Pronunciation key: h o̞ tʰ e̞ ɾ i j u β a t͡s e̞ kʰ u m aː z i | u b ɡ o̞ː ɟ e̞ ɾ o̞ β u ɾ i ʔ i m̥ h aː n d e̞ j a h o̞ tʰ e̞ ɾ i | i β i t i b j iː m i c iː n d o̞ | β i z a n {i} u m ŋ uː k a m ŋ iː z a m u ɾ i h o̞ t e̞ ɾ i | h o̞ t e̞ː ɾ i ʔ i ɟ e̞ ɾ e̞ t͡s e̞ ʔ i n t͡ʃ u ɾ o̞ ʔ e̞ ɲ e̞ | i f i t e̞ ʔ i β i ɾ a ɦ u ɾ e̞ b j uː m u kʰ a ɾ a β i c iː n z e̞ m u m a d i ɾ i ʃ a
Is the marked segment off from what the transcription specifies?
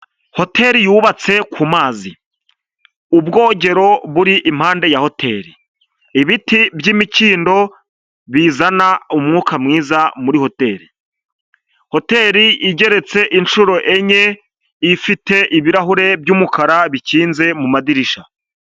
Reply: yes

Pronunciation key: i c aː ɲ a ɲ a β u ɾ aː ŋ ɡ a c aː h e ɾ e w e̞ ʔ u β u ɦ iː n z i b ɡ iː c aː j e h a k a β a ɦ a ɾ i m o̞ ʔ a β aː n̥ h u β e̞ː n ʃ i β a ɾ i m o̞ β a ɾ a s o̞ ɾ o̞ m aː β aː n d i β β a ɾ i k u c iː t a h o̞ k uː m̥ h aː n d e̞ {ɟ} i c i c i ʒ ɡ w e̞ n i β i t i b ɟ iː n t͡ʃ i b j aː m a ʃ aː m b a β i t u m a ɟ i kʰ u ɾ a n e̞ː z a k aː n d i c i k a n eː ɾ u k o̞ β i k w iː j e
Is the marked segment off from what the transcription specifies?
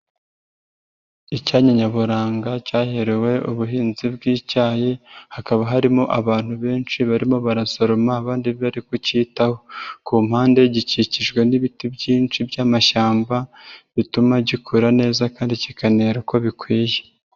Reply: no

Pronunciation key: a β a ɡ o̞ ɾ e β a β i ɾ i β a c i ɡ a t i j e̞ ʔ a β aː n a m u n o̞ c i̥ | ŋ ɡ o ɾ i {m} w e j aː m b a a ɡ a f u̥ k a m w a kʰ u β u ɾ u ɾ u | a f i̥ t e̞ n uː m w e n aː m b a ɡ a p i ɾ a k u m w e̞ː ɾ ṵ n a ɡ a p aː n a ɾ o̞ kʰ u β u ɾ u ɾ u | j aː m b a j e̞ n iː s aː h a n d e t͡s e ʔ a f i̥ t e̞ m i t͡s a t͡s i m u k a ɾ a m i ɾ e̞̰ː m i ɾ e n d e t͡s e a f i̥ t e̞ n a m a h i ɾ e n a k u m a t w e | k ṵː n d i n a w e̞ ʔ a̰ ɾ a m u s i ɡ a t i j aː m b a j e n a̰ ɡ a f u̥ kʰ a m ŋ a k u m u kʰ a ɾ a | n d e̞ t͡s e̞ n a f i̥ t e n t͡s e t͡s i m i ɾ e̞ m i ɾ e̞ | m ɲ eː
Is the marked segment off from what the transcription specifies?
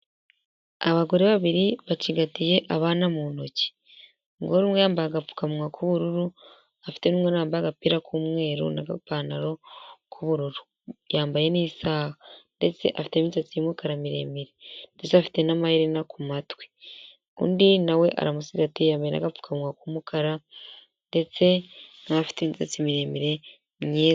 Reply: no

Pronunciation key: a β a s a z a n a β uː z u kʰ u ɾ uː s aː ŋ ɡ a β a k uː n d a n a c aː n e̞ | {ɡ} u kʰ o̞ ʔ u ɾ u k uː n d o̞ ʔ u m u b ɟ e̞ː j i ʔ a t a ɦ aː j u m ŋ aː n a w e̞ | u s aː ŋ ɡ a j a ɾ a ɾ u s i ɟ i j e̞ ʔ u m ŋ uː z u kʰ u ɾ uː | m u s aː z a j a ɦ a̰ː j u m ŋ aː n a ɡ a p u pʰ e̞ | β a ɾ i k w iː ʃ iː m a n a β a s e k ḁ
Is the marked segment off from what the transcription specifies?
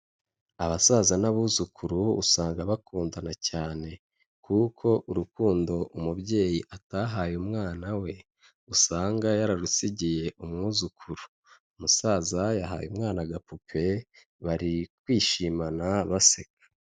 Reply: yes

